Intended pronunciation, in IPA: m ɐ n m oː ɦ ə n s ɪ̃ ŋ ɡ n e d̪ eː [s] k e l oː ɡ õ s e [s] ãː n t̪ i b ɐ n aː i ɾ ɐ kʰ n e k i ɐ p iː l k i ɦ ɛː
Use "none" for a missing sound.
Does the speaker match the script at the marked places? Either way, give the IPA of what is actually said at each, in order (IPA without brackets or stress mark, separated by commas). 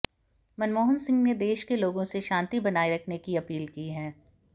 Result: ʃ, ʃ